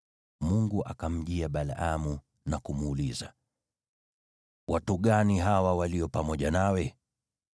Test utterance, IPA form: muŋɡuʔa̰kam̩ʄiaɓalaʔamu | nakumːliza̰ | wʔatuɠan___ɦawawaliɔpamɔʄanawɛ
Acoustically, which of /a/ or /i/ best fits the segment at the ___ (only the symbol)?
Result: i